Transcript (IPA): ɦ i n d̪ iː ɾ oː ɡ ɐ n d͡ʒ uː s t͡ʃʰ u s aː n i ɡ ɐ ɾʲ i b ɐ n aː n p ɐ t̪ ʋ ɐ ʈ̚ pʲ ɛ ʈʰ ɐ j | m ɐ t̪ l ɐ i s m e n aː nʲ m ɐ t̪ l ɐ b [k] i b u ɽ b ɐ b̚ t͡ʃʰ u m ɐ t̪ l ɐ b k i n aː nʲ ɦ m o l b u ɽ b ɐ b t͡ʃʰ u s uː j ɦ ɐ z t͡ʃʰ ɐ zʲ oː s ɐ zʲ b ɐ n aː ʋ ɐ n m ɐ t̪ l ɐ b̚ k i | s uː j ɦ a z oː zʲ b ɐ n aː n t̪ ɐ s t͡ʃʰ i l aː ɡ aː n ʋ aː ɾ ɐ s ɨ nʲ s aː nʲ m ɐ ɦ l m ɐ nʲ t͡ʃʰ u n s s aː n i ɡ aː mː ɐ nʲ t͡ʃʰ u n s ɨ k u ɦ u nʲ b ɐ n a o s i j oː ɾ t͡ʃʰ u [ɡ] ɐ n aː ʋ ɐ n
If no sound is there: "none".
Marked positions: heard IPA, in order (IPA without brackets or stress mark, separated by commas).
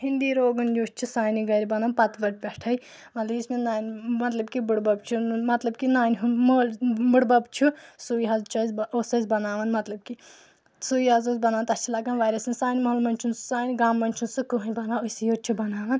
k, b